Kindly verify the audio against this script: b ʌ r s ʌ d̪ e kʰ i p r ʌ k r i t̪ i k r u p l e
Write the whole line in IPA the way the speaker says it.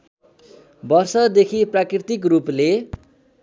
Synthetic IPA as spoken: b ʌ r s ʌ d̪ e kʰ i p r a k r i t̪ i k r u p l e